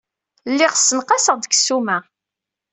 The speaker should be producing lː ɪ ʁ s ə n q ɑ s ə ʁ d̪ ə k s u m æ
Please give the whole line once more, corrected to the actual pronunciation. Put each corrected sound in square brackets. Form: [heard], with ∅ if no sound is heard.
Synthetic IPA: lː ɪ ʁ s ə n q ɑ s ə ʁ d̪ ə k s u m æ